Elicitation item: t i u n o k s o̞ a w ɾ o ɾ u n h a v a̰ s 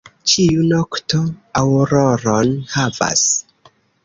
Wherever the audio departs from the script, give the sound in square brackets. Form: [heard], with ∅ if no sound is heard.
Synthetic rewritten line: [t͡ʃ] i u n o k [t] o̞ a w ɾ o ɾ [o] n h a v a̰ s